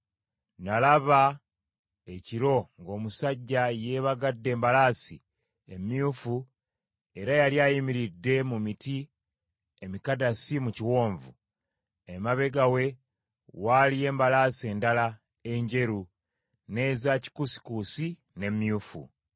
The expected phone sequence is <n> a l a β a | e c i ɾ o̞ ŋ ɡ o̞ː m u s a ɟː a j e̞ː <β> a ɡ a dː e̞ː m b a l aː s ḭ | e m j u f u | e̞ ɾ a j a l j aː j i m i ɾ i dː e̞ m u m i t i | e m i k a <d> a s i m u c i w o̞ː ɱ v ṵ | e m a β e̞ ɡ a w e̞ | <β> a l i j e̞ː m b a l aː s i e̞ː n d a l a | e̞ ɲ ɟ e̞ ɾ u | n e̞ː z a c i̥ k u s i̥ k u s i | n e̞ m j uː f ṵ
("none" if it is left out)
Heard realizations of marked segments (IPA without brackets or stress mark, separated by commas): n, β, d, w